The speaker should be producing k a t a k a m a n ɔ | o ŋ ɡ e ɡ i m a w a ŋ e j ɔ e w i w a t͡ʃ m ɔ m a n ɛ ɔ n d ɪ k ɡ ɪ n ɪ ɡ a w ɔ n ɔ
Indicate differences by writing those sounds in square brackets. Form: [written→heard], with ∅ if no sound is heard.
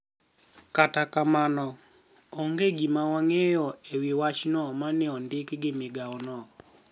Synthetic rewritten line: k a t a k a m a n ɔ | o ŋ ɡ e ɡ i m a w a ŋ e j ɔ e w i w a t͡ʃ [m→n] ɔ m a n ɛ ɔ n d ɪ k ɡ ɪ [n→m] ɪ ɡ a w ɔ n ɔ